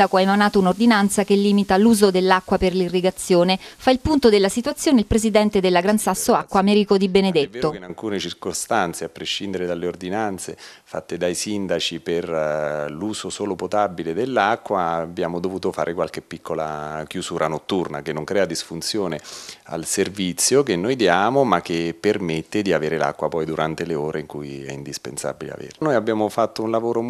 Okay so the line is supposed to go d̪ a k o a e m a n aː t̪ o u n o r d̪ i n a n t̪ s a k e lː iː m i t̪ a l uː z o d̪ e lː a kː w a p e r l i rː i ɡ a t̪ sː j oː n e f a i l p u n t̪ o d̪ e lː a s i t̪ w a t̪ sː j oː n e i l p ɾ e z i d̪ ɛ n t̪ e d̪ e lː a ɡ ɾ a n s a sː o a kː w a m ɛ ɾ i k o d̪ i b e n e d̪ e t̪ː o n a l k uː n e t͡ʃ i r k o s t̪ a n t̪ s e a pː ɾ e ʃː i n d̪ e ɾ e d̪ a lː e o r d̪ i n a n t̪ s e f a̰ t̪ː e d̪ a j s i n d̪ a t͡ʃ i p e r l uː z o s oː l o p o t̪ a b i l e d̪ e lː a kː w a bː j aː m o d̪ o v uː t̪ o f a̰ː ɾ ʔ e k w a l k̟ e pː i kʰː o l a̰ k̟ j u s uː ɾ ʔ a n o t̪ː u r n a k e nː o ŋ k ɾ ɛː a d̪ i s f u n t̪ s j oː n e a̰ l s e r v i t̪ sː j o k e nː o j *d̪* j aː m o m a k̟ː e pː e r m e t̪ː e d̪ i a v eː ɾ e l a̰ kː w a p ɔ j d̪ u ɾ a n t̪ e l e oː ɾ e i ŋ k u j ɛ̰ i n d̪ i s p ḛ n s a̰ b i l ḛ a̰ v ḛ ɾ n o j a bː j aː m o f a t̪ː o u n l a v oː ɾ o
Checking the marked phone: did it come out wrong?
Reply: no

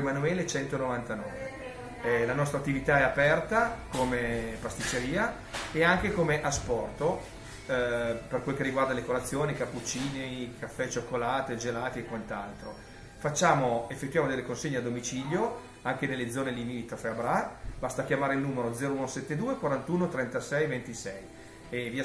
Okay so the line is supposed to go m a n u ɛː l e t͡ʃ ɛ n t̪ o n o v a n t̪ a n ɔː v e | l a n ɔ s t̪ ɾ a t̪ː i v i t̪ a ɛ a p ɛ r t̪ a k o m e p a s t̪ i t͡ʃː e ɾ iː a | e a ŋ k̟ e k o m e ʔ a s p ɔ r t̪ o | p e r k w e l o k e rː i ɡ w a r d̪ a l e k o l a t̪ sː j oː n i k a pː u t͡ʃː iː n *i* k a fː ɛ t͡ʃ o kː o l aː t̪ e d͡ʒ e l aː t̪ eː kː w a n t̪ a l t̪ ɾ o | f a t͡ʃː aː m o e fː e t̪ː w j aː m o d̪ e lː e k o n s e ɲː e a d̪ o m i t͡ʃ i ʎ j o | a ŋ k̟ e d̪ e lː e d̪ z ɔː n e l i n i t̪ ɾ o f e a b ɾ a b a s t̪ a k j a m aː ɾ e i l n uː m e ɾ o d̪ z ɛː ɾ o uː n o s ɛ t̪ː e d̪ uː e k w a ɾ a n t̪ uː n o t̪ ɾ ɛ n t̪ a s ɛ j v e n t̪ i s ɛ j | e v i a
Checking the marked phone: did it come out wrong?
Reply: yes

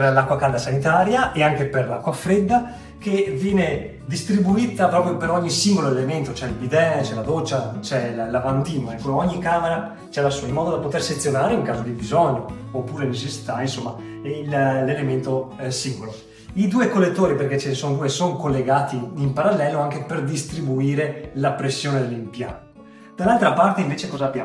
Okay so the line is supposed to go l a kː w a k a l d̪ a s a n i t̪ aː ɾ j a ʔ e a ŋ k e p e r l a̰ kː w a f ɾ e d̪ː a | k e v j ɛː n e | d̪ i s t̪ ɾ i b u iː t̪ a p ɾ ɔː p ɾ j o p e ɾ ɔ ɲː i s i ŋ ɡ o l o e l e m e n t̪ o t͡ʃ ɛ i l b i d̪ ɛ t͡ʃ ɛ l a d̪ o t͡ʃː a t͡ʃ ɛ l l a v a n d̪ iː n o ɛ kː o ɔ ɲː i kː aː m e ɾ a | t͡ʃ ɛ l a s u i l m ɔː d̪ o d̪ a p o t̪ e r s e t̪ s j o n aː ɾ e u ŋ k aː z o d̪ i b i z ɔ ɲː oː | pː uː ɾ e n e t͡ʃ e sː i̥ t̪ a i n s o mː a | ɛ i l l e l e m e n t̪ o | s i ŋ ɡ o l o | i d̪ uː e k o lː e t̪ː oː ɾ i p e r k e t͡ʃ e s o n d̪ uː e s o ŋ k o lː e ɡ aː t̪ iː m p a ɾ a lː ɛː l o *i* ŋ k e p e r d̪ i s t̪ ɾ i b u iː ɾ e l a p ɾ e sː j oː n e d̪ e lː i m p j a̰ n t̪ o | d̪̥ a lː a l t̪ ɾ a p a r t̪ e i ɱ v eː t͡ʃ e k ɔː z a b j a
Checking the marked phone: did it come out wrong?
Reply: yes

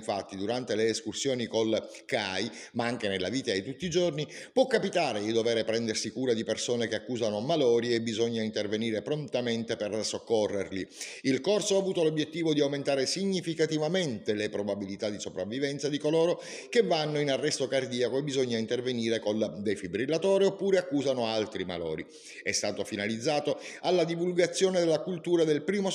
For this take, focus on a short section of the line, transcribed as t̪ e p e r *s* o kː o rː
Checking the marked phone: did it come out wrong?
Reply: no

